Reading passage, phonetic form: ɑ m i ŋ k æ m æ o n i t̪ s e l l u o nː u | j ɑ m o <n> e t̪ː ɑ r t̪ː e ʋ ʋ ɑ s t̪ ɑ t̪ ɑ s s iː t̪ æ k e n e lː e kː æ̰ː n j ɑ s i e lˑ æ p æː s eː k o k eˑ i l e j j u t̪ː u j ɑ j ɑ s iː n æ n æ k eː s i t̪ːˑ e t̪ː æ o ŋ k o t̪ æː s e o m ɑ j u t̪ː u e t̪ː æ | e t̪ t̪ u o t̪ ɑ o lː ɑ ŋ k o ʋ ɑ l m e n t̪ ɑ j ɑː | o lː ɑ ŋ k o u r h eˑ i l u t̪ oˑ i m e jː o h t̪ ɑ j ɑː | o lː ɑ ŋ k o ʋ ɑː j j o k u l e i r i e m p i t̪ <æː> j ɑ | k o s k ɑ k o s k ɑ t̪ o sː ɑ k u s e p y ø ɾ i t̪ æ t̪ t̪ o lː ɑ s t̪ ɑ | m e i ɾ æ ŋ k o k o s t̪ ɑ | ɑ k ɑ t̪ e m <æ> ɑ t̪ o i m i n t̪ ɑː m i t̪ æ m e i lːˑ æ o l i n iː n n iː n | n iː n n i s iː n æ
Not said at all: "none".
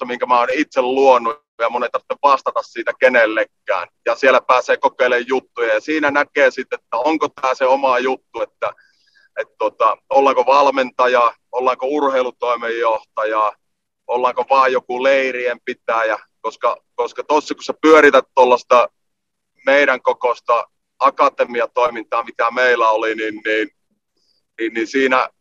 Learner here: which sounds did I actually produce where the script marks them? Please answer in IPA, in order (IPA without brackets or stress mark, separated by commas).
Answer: n, æː, i